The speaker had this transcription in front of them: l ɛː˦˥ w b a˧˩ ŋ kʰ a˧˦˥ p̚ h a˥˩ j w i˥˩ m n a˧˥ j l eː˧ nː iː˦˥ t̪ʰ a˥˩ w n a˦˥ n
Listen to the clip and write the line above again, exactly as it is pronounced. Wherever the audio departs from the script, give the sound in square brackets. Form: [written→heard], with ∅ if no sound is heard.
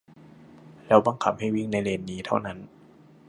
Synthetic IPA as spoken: l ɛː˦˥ w b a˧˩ ŋ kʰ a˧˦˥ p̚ h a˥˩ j w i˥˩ [m→ŋ] n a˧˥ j l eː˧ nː iː˦˥ t̪ʰ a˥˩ w n a˦˥ n